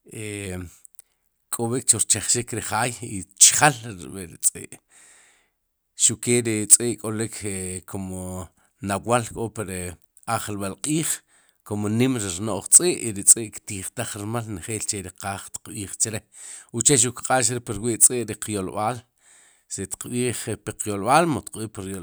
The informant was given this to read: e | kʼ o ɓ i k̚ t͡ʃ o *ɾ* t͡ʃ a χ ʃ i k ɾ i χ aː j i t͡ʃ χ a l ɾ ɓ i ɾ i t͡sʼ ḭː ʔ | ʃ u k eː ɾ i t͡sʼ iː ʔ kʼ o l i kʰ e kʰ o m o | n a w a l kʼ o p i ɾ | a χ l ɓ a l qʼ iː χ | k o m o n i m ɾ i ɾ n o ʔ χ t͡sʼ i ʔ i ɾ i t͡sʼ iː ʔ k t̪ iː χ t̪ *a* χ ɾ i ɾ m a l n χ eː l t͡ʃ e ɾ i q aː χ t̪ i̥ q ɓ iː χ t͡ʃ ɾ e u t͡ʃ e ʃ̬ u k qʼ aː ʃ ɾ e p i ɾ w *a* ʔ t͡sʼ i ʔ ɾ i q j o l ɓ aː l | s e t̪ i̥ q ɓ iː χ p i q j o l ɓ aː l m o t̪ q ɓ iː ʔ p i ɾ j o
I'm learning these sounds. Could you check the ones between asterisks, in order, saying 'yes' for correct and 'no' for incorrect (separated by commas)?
yes, yes, no